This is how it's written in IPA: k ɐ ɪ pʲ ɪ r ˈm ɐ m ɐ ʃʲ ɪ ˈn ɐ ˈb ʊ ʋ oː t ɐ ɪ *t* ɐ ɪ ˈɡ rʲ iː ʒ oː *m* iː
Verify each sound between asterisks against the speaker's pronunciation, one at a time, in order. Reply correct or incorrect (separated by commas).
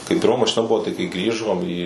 incorrect, correct